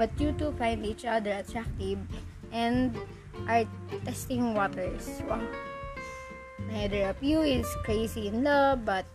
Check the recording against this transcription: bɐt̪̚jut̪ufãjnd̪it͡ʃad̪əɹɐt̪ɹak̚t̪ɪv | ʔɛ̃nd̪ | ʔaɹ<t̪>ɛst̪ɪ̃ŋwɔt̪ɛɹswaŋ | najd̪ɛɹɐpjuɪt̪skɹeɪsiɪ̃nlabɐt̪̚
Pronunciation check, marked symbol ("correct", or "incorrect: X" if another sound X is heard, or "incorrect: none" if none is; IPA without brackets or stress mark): correct